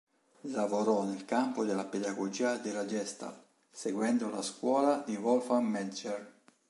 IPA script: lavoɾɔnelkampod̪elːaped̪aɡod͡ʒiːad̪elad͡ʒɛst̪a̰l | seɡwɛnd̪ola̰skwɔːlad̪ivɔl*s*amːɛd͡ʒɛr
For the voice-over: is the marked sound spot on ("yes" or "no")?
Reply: no